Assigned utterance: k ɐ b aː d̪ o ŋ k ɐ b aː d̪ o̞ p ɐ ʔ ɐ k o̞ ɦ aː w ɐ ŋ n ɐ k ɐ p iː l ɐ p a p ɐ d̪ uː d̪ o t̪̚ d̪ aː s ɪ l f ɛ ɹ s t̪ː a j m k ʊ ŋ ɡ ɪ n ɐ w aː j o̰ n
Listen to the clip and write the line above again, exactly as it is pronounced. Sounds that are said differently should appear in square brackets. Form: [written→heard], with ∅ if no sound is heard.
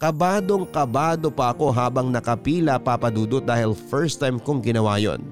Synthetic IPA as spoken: k ɐ b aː d̪ o ŋ k ɐ b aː d̪ o̞ p ɐ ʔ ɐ k o̞ ɦ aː [w→b] ɐ ŋ n ɐ k ɐ p iː l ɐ p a p ɐ d̪ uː d̪ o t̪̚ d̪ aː [s→h] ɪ l f ɛ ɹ s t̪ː a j m k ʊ ŋ ɡ ɪ n ɐ w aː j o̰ n